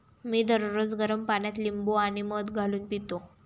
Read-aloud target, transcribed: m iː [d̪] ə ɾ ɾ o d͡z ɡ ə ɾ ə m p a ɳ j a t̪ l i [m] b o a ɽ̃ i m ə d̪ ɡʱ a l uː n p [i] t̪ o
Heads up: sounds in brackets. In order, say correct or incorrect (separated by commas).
correct, correct, correct